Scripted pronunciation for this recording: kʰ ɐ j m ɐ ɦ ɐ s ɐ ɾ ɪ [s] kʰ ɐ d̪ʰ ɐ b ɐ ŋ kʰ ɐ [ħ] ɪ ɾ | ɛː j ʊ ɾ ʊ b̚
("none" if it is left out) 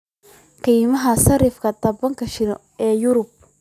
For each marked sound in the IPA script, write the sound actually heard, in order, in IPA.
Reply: f, ʃ

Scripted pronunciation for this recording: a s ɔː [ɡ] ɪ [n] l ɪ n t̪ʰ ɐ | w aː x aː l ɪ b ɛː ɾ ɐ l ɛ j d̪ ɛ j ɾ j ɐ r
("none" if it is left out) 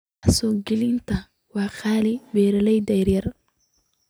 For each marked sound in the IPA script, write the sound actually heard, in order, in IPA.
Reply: ɡ, none

